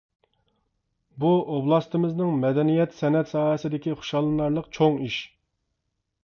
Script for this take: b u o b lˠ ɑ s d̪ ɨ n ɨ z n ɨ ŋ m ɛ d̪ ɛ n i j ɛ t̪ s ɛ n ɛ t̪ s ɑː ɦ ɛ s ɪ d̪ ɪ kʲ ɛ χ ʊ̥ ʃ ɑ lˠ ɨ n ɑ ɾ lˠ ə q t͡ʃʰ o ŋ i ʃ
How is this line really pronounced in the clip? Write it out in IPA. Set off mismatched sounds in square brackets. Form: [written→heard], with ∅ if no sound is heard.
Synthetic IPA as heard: b u o b lˠ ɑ s [d̪→t̪] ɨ [n→m] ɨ z n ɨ ŋ m ɛ d̪ ɛ n i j ɛ t̪ s ɛ n ɛ t̪ s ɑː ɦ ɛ s ɪ d̪ ɪ kʲ [ɛ→i] χ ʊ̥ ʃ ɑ lˠ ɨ n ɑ ɾ lˠ ə q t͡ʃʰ o ŋ i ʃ